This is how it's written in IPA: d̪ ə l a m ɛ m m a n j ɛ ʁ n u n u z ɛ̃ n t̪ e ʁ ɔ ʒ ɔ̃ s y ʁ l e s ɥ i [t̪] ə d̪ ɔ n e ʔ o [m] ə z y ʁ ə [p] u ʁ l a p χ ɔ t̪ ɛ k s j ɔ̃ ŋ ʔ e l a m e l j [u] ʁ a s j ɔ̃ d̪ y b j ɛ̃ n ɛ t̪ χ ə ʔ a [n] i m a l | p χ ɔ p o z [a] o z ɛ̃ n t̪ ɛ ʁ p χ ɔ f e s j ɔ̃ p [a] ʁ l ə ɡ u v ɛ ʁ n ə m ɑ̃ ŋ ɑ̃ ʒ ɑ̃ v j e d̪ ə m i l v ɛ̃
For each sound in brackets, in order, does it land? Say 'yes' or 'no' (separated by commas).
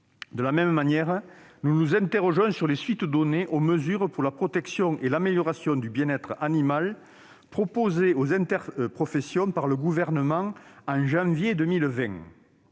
yes, yes, yes, no, yes, no, yes